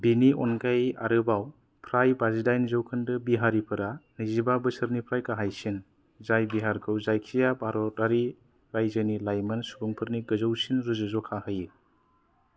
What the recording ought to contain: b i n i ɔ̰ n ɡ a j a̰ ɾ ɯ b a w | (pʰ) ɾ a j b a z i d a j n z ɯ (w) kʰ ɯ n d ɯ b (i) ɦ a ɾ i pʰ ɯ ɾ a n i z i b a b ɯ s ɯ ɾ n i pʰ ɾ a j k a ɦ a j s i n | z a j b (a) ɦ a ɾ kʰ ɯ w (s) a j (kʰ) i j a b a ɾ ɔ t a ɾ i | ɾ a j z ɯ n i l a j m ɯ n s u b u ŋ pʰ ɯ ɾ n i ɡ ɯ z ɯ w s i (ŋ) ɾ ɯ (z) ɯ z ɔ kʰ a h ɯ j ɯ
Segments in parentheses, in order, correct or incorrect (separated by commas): correct, correct, correct, incorrect, incorrect, correct, incorrect, correct